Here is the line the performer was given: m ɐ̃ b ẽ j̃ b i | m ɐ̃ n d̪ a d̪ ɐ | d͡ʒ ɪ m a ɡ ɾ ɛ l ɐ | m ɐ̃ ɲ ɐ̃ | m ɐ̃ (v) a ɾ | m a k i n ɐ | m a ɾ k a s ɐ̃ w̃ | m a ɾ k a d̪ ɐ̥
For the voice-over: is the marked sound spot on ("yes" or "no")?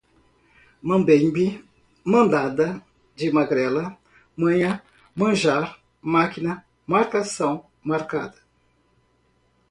no